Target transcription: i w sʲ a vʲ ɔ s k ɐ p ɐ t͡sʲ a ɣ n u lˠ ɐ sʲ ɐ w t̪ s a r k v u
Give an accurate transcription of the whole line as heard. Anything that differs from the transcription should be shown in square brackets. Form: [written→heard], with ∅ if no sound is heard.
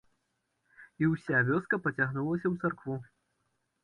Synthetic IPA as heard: i w sʲ a vʲ ɔ s k ɐ p ɐ t͡sʲ a ɣ n u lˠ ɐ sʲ ɐ w t̪ s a r k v u